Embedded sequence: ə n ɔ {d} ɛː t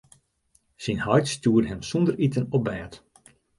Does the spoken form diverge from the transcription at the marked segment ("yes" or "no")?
yes